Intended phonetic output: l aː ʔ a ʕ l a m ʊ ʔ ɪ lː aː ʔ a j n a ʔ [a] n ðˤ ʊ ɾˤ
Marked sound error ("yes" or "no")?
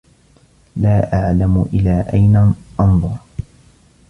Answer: yes